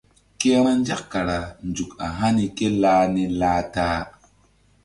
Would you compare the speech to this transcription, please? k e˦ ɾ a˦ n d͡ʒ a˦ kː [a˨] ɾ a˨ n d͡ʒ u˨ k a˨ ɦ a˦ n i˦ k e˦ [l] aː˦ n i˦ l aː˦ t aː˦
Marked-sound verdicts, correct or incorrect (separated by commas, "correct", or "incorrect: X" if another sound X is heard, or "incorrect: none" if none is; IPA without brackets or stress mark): correct, correct